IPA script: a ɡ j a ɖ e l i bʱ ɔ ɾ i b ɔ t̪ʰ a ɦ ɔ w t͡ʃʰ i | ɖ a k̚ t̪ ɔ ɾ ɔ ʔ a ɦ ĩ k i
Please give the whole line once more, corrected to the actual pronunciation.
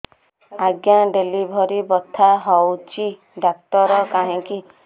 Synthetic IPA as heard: a ɡ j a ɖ e l i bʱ ɔ ɾ i b ɔ t̪ʰ a ɦ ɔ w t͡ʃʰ i | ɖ a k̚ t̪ ɔ ɾ ɔ k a ɦ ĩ k i